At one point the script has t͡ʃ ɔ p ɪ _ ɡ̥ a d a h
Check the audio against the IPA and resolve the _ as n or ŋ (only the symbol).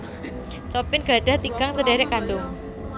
n